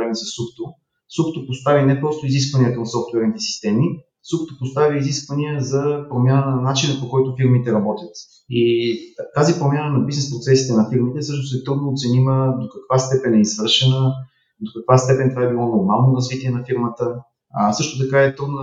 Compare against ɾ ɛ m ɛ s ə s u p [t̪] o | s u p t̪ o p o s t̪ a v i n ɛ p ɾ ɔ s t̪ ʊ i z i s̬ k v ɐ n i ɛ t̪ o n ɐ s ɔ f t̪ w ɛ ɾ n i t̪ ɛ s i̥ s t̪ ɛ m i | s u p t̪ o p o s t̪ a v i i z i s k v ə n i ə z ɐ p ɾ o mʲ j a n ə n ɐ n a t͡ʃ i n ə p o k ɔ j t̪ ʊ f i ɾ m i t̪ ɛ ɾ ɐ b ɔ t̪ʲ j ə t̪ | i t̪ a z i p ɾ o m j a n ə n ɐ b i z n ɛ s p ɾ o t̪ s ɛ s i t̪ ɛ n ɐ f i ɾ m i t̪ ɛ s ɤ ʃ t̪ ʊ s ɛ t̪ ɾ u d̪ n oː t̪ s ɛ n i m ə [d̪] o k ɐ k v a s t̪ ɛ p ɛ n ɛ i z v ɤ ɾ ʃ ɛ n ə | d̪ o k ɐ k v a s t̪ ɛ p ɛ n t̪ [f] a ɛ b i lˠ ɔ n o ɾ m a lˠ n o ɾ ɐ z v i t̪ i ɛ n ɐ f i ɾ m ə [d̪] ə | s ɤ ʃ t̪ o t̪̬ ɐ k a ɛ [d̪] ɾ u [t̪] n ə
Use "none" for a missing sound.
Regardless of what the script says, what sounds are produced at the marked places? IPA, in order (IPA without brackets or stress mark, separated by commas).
t̪, d̪, v, t̪, t̪, d̪